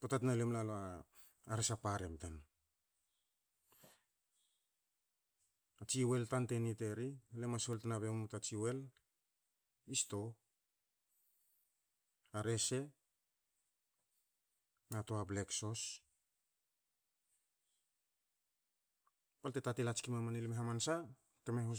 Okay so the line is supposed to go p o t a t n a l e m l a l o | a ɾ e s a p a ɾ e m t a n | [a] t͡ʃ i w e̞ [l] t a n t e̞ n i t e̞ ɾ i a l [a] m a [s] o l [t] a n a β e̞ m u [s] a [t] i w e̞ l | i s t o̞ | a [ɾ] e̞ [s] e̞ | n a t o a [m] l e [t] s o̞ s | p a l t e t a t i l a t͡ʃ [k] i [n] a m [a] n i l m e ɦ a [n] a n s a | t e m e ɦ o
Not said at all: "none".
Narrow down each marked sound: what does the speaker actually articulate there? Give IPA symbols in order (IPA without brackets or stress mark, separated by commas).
a, l, e, s, t, t, t͡ʃ, ɾ, s, b, k, k, m, a, m